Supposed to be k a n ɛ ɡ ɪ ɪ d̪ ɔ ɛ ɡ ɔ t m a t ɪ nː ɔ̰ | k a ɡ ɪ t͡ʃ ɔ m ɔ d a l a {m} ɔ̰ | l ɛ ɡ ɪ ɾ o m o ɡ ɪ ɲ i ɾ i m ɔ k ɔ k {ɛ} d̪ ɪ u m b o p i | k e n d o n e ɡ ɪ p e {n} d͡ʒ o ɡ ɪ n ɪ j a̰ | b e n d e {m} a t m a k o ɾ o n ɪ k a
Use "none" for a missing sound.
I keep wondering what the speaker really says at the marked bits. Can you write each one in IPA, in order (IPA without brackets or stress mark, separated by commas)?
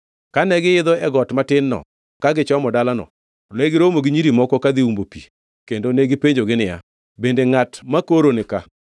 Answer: n, a, ɲ, ŋ